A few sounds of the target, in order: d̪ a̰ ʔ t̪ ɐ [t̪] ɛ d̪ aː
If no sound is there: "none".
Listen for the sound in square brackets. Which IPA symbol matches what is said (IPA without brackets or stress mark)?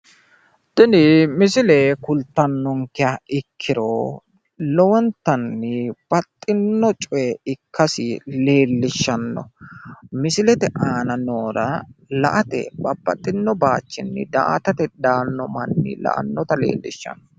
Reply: t̪